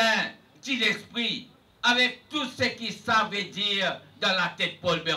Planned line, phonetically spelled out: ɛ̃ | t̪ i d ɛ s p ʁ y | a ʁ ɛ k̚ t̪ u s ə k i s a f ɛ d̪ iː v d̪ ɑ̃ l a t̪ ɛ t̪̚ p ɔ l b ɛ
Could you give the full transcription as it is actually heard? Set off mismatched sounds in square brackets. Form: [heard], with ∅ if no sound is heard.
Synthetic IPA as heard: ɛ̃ | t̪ i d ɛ s p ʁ [i] | a [v] ɛ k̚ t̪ u s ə k i s a [v] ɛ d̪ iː [ʁ] d̪ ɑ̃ l a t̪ ɛ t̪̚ p ɔ l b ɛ

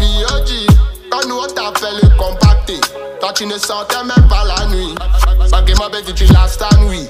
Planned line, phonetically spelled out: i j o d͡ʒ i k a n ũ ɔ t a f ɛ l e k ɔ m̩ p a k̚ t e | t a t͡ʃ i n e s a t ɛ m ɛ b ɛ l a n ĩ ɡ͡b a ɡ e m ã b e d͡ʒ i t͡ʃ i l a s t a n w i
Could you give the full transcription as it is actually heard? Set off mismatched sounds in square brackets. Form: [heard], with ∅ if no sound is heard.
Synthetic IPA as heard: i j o d͡ʒ i k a n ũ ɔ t a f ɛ l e k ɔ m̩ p a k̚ t e | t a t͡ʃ i n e s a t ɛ m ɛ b [a] l a n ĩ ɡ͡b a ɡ e m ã b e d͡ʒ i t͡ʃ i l a s t a n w i

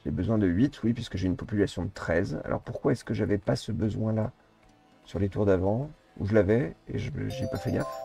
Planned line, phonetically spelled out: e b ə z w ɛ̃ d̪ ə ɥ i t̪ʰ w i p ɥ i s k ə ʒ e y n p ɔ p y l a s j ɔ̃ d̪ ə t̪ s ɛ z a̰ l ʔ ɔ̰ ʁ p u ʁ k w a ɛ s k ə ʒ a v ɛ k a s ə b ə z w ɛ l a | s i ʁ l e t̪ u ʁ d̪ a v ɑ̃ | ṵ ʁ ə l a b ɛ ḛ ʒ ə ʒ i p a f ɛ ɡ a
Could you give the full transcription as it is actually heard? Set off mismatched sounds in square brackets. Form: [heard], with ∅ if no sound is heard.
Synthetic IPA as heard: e b ə z w ɛ̃ d̪ ə ɥ i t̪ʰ w i p ɥ i s k ə ʒ e y n p ɔ p y l a s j ɔ̃ d̪ ə t̪ [χ] ɛ z a̰ l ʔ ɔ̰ ʁ p u ʁ k w a ɛ s k ə ʒ a v ɛ [p] a s ə b ə z w [ɛ̃] l a | s [y] ʁ l e t̪ u ʁ d̪ a v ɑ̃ | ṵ [ʒ] ə l a [v] ɛ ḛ ʒ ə ʒ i p a f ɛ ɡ a

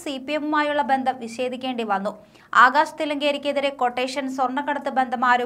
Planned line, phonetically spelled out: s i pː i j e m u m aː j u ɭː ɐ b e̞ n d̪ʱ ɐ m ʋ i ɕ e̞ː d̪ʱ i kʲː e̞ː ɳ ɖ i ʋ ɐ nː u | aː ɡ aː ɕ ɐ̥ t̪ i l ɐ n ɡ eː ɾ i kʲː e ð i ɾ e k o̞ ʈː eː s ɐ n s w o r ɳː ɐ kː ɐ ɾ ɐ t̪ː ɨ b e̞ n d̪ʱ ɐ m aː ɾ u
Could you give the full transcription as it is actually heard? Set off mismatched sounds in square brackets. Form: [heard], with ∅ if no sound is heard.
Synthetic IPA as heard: s i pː i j e m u m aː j u ɭː ɐ b e̞ n d̪ʱ ɐ m ʋ i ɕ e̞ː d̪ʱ i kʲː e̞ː ɳ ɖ i ʋ ɐ nː u | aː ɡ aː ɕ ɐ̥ t̪ i l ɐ [ŋ] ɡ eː ɾ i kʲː e ð i ɾ e k o̞ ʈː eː [ʂ] ɐ n s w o r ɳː ɐ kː ɐ [ɽ] ɐ t̪ː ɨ b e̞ n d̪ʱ ɐ m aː ɾ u

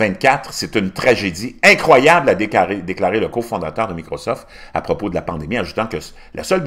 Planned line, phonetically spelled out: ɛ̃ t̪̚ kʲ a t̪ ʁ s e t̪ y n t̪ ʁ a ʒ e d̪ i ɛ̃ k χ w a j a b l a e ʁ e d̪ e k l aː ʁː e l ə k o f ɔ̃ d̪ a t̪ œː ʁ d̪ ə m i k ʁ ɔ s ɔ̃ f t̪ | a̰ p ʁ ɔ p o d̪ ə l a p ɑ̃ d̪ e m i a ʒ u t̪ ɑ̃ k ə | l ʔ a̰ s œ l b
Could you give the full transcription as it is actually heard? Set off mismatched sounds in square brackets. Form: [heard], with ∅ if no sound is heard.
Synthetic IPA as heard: ɛ̃ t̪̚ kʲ a t̪ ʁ s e t̪ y n t̪ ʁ a ʒ e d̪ i ɛ̃ k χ w a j a b l a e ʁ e d̪ e k l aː [ʁ] e l ə k o f ɔ̃ d̪ a t̪ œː ʁ d̪ ə m i k ʁ ɔ s [ɔ] f t̪ | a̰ p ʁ ɔ p o d̪ ə l a p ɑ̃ d̪ e m i a ʒ u t̪ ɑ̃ k ə | l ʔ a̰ s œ l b

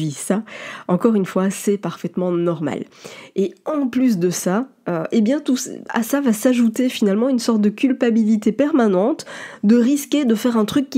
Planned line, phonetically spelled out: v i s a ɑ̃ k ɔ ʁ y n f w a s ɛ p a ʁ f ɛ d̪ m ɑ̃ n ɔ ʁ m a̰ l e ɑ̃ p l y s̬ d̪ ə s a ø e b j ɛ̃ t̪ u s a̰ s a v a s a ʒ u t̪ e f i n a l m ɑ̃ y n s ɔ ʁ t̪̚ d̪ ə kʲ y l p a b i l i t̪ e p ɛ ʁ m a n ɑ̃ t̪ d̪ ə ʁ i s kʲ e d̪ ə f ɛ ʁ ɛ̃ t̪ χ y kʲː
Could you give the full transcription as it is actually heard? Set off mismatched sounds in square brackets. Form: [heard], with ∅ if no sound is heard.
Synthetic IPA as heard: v i s a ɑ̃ k ɔ ʁ y n f w a s ɛ p a ʁ f ɛ [t̪] m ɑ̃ n ɔ ʁ m a̰ l e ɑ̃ p l y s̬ d̪ ə s a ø e b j ɛ̃ t̪ u s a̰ s a v a s a ʒ u t̪ e f i n a l m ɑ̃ y n s ɔ ʁ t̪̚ d̪ ə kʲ y l p a b i l i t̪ e p ɛ ʁ m a n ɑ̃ t̪ d̪ ə ʁ i s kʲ e d̪ ə f ɛ ʁ ɛ̃ t̪ χ y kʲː

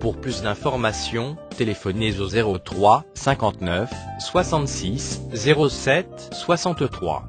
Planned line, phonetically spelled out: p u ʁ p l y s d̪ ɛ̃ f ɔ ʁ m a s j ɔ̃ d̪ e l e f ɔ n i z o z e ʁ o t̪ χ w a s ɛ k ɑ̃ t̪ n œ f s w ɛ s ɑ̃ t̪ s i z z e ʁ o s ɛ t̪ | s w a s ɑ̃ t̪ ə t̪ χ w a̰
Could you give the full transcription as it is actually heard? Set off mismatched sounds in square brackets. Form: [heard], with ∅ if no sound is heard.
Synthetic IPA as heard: p u ʁ p l y s d̪ ɛ̃ f ɔ ʁ m a s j ɔ̃ [t̪] e l e f ɔ n [e] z o z e ʁ o t̪ χ w a s [ɛ̃] k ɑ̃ t̪ n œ f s w [a] s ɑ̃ t̪ s i [s] z e ʁ o s ɛ t̪ | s w a s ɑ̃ t̪ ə t̪ χ w a̰

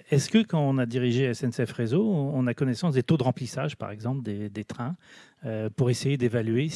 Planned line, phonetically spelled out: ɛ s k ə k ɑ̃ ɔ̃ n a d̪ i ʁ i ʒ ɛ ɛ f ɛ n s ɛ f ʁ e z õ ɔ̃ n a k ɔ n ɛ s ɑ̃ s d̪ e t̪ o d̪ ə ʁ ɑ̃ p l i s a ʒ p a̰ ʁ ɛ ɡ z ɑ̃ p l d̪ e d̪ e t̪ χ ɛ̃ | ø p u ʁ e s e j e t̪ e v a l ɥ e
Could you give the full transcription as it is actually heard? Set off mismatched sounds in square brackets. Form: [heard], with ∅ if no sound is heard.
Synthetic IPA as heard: ɛ s k ə k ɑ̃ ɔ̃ n a d̪ i ʁ i ʒ [e] ɛ [s] ɛ n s ɛ f ʁ e z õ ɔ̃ n a k ɔ n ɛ s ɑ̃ s d̪ e t̪ o d̪ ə ʁ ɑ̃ p l i s a ʒ p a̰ ʁ ɛ ɡ z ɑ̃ p l d̪ e d̪ e t̪ χ ɛ̃ | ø p u ʁ e s e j e [d̪] e v a l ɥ e

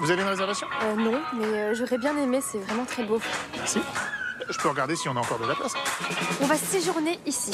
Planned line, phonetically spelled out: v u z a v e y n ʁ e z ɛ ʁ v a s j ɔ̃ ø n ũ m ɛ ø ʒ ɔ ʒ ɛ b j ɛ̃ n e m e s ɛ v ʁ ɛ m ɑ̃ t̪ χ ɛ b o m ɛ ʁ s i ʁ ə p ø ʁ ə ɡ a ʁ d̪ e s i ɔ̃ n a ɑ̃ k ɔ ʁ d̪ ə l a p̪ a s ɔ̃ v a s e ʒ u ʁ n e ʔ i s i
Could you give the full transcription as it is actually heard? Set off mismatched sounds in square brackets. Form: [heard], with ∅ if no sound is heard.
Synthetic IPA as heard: v u z a v e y n ʁ e z ɛ ʁ v a s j ɔ̃ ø n [ɔ̃] m ɛ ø ʒ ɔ [ʁ] ɛ b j ɛ̃ n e m e s ɛ v ʁ ɛ m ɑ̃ t̪ χ ɛ b o m ɛ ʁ s i [ʒ] ə p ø ʁ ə ɡ a ʁ d̪ e s i ɔ̃ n a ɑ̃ k ɔ ʁ d̪ ə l a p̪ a s ɔ̃ v a s e ʒ u ʁ n e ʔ i s i

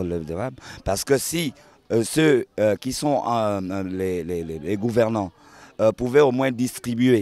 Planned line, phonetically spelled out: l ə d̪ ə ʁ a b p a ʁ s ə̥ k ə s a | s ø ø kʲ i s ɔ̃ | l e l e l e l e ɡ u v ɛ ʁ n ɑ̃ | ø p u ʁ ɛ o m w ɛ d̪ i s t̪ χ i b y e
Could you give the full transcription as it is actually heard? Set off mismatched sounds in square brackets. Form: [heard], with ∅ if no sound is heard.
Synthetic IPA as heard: l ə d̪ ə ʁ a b p a ʁ s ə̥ k ə s [i] | s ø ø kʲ i s ɔ̃ | l e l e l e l e ɡ u v ɛ ʁ n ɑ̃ | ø p u [v] ɛ o m w [ɛ̃] d̪ i s t̪ χ i b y e

